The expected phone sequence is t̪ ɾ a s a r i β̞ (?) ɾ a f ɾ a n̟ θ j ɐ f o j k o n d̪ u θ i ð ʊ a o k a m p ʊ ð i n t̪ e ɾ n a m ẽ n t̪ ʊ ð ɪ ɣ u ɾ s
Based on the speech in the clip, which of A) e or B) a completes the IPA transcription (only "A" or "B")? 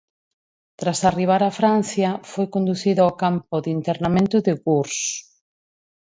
B